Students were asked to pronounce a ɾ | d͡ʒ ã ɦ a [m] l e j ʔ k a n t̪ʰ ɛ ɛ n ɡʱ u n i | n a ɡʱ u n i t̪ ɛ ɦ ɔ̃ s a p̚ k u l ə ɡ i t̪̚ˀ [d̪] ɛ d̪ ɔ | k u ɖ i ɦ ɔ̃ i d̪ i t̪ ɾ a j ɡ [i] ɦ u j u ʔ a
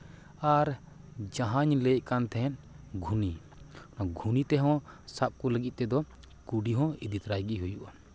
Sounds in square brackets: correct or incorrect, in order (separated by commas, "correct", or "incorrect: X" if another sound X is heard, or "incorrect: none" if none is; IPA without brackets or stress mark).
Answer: incorrect: ɲ, incorrect: t̪, correct